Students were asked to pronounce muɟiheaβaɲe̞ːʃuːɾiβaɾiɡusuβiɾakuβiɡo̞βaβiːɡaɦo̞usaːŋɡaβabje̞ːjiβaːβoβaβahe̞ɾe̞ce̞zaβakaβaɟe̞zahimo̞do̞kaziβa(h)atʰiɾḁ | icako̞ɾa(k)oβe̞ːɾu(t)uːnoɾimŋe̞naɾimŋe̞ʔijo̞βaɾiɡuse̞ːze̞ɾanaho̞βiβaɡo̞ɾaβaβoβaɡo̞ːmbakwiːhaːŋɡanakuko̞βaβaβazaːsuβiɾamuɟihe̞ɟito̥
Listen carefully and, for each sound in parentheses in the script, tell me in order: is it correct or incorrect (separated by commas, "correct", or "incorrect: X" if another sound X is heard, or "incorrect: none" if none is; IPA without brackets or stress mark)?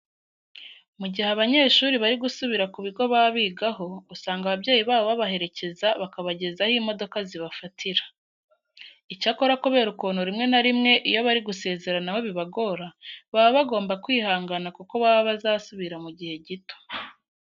incorrect: f, correct, incorrect: k